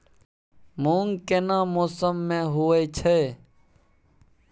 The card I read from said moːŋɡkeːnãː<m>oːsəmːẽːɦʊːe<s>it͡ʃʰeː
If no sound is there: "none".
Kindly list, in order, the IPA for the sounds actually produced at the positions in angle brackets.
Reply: m, none

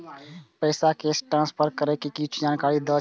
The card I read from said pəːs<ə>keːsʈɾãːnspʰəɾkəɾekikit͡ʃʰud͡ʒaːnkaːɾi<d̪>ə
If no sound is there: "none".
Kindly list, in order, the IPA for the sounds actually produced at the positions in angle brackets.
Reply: a, d̪

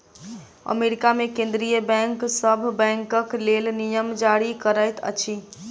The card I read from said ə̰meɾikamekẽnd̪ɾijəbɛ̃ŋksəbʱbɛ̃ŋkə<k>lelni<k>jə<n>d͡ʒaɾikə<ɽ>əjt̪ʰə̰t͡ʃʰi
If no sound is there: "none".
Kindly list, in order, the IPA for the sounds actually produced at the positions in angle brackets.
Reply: k, none, m, ɾ

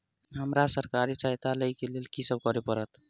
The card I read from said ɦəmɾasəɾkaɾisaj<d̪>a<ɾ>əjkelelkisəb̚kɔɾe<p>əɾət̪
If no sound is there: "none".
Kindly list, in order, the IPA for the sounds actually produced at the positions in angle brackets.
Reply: t̪, l, p

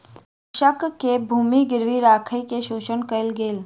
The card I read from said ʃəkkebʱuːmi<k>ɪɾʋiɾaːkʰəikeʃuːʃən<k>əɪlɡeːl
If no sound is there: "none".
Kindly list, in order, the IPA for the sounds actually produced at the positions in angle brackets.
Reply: ɡ, k

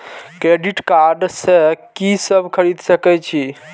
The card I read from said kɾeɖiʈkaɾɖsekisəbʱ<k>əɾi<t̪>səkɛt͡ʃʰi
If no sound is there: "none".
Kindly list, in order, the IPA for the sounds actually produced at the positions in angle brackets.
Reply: kʰ, d̪

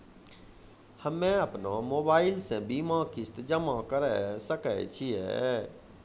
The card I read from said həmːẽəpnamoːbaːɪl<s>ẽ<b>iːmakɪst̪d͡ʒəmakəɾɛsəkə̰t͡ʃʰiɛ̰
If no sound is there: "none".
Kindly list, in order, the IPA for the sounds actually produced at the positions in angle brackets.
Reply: s, b

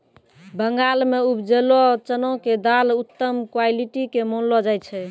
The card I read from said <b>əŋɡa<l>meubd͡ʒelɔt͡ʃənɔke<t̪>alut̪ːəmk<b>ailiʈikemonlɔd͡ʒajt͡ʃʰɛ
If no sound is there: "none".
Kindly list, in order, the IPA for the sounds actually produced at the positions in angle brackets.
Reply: b, l, d̪, w

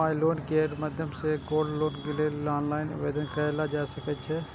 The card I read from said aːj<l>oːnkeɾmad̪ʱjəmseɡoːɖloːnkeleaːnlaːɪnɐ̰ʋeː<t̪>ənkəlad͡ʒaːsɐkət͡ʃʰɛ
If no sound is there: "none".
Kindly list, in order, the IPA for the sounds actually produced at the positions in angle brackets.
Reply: l, d̪

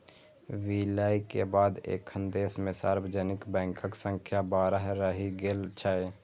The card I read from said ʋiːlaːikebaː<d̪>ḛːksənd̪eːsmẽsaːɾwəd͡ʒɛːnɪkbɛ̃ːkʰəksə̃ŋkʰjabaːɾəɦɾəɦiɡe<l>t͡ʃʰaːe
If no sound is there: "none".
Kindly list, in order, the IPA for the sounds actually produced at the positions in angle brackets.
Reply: d̪, l

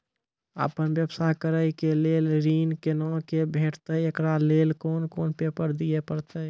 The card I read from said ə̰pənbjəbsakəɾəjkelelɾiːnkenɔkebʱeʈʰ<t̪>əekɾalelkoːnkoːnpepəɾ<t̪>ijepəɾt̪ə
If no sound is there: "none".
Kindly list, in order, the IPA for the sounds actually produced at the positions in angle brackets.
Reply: t̪, d̪

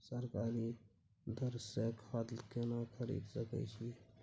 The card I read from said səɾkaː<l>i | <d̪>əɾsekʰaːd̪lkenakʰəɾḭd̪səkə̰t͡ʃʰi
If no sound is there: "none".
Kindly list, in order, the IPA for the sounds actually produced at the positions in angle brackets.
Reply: ɾ, d̪

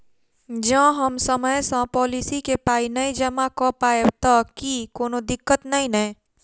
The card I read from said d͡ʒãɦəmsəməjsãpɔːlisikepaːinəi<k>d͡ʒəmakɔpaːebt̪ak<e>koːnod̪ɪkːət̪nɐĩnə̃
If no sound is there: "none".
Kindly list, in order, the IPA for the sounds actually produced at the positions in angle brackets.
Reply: none, i

